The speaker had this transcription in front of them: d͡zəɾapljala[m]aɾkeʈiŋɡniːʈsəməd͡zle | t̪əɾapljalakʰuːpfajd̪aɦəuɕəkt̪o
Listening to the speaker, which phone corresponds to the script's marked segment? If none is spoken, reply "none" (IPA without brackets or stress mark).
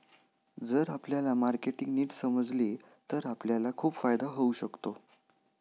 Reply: m